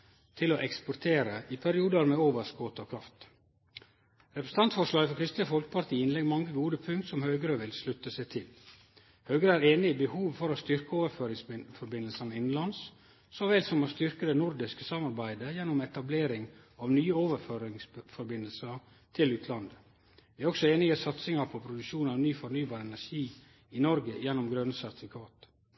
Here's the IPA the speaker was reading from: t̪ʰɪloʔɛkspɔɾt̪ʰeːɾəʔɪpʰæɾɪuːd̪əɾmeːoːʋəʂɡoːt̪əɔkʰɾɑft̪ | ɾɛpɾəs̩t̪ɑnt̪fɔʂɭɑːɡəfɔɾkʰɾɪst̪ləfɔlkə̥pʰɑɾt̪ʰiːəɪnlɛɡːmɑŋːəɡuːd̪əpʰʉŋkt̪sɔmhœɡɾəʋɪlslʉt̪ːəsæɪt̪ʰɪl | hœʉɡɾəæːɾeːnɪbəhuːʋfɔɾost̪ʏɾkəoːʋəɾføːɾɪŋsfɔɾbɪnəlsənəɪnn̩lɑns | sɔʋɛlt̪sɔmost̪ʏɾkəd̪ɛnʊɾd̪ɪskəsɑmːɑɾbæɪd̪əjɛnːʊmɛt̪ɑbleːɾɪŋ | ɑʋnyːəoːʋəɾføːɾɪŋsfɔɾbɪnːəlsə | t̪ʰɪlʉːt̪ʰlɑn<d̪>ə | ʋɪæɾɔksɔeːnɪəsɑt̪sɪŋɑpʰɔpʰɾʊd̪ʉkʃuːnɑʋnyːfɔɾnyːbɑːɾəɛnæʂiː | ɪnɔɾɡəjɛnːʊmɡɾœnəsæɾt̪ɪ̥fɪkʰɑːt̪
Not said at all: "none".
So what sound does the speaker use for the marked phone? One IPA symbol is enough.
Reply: d̪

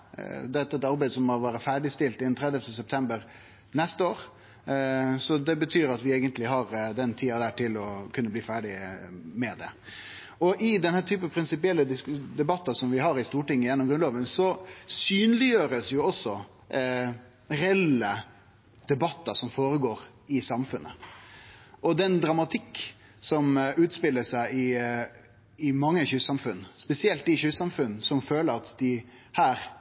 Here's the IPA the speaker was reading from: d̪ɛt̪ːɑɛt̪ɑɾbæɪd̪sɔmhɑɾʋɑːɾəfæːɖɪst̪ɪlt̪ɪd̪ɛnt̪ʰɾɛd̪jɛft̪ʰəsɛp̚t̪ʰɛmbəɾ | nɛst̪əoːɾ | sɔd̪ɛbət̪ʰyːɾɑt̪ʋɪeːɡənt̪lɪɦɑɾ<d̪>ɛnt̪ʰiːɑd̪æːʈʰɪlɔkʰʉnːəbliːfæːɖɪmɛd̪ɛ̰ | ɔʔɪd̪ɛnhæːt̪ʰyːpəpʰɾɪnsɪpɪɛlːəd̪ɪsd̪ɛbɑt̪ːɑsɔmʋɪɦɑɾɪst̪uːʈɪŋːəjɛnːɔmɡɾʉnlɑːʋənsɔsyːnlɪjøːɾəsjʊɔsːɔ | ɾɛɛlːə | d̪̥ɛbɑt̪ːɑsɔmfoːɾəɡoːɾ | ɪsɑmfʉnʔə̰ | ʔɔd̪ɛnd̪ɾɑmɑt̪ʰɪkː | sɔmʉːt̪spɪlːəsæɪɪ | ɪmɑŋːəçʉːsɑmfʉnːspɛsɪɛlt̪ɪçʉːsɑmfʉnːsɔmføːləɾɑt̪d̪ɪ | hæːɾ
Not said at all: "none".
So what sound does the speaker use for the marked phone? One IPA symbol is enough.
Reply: d̪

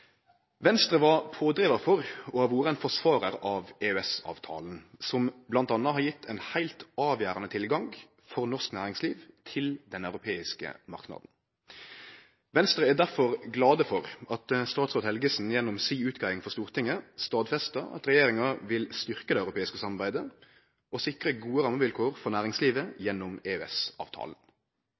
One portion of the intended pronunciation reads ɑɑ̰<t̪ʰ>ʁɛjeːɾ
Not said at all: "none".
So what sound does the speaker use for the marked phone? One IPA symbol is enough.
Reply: t̪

